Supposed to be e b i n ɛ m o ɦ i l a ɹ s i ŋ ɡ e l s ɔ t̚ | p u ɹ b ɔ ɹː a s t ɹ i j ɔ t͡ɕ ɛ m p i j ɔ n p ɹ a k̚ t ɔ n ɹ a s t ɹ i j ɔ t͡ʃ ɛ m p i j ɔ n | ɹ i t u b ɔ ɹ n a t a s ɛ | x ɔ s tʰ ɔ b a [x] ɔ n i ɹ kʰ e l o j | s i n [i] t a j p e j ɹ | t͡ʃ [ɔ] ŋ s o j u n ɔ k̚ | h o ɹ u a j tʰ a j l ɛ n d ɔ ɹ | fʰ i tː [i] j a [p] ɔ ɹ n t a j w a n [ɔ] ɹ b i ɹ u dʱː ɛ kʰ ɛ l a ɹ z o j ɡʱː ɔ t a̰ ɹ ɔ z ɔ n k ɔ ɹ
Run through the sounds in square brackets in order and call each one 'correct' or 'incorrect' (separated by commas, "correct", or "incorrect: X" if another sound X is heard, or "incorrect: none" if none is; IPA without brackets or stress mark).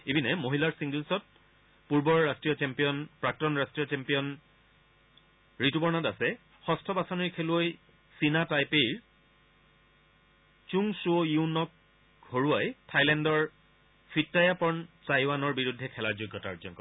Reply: incorrect: s, incorrect: a, incorrect: u, incorrect: a, correct, correct